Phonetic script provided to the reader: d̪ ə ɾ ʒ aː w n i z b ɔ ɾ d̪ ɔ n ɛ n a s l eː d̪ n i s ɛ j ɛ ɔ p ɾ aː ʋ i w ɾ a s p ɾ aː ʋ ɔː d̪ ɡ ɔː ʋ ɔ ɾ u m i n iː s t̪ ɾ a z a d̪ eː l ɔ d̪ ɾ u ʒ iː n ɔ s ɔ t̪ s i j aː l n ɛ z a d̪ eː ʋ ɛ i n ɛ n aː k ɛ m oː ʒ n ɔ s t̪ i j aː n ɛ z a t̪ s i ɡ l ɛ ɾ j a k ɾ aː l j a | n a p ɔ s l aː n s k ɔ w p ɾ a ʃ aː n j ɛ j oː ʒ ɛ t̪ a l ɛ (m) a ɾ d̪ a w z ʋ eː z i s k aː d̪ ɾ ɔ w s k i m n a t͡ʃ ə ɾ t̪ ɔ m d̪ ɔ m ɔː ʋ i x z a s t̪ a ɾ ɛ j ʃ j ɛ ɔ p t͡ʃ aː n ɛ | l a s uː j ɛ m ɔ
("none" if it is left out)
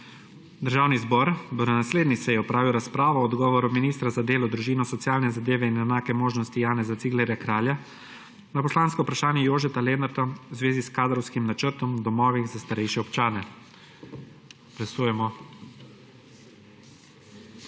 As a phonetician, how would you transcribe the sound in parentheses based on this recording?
n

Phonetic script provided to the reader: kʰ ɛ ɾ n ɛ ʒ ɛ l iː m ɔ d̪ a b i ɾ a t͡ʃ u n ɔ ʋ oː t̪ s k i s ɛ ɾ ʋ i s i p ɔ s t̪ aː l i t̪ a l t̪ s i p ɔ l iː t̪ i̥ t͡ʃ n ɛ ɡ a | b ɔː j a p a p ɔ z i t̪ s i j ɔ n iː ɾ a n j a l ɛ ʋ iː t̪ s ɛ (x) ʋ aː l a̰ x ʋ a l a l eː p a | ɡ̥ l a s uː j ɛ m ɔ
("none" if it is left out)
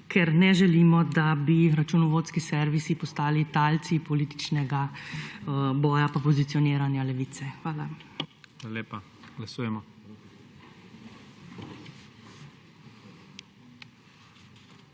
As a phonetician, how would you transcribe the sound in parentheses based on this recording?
x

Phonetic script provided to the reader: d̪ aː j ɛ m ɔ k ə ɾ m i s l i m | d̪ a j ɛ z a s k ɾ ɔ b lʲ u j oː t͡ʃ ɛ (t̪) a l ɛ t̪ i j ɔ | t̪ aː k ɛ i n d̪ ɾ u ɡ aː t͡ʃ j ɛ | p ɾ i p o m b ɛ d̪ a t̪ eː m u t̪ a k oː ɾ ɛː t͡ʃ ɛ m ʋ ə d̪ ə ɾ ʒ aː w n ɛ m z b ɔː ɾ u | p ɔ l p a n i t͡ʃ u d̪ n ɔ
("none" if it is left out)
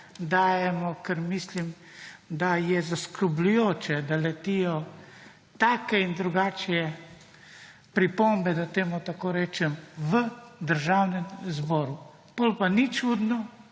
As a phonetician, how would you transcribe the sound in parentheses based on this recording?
d̪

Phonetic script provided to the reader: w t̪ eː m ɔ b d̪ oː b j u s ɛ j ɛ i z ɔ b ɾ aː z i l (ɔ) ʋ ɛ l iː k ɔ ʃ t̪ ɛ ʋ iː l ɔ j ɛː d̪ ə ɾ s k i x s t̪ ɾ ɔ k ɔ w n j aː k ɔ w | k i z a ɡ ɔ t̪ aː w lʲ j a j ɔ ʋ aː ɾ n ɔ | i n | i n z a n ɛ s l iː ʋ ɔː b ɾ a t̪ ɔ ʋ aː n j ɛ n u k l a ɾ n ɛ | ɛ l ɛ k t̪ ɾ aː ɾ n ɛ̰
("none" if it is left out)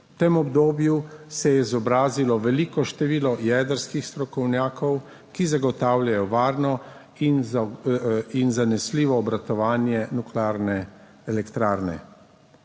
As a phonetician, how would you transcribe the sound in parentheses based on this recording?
ɔ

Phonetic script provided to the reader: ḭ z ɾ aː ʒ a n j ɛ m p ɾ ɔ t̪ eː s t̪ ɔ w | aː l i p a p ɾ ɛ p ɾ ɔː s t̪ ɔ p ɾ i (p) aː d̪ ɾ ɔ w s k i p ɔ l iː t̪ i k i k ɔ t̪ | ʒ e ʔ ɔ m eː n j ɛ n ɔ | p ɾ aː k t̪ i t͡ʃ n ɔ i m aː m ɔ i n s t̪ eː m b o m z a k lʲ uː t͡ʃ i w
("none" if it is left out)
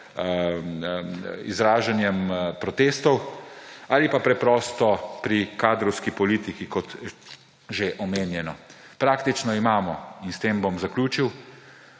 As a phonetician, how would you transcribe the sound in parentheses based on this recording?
k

